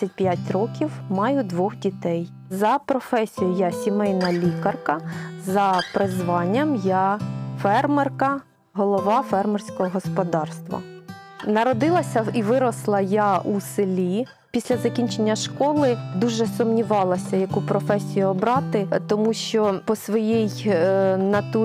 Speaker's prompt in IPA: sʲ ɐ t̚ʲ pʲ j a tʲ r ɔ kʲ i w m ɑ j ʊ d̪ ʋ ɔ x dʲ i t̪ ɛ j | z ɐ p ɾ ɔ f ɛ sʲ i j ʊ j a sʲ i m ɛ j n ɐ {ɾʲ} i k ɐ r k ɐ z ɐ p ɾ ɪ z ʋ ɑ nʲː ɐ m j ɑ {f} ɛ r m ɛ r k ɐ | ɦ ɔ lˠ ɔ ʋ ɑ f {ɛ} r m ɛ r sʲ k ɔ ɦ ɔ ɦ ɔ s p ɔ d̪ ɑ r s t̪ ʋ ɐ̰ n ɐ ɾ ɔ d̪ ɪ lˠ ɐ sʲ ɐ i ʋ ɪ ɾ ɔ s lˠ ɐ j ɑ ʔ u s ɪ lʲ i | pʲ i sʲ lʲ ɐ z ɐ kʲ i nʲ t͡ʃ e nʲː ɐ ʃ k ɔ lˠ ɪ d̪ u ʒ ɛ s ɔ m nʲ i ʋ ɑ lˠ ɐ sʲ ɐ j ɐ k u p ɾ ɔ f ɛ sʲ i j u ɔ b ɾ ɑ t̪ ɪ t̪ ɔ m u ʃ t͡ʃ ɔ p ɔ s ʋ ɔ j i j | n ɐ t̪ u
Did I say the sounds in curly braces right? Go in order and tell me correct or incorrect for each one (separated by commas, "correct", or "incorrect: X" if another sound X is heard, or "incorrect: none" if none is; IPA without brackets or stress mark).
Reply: incorrect: lʲ, correct, correct